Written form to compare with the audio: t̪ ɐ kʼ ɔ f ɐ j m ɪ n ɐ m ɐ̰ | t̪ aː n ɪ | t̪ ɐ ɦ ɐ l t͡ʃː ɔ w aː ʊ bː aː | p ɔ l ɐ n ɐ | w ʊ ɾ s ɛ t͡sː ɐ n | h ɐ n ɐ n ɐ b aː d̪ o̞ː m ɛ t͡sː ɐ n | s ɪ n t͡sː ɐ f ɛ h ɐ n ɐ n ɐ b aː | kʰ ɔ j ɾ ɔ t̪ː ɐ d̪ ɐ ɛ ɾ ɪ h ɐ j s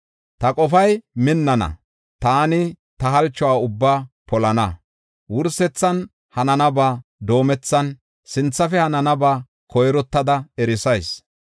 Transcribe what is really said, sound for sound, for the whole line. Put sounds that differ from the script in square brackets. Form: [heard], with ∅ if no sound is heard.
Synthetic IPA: t̪ ɐ kʼ ɔ f ɐ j m ɪ [nː] ɐ [n] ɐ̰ | t̪ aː n ɪ | t̪ ɐ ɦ ɐ l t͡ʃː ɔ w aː ʊ bː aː | p ɔ l ɐ n ɐ | w ʊ ɾ s ɛ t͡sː ɐ n | h ɐ n ɐ n ɐ b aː d̪ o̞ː m ɛ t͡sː ɐ n | s ɪ n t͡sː ɐ f ɛ h ɐ n ɐ n ɐ b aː | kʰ ɔ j ɾ ɔ t̪ː ɐ d̪ ɐ ɛ ɾ ɪ [s] ɐ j s